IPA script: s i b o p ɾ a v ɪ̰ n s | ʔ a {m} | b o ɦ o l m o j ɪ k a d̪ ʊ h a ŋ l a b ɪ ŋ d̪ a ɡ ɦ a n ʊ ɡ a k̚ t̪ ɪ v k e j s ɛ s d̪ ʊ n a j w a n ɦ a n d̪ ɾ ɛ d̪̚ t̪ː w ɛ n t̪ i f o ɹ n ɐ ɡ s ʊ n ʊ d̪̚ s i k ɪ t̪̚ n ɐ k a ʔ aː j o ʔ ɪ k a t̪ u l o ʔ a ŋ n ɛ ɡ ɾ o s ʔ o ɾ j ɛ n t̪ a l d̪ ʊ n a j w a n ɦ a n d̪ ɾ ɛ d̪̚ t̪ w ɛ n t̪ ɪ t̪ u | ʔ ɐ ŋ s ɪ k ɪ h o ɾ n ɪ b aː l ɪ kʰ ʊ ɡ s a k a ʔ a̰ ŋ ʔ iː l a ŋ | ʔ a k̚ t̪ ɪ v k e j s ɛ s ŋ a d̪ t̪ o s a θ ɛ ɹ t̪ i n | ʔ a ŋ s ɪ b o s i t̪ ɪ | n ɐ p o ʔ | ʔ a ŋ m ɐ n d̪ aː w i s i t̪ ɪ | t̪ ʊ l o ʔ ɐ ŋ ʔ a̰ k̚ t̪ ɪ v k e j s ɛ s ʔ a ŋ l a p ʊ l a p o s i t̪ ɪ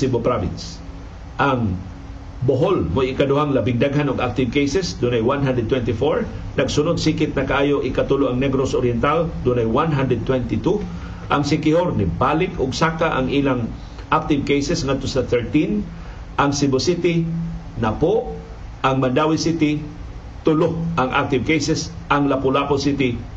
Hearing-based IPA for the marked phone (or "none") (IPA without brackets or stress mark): ŋ